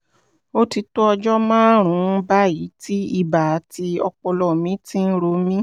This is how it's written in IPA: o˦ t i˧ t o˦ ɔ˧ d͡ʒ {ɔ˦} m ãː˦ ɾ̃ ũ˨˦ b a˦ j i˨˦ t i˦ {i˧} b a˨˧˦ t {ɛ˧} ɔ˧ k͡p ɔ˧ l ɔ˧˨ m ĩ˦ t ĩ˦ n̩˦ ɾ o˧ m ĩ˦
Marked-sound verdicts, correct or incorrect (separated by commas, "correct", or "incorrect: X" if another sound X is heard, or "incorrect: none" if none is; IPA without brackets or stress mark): correct, correct, incorrect: i˧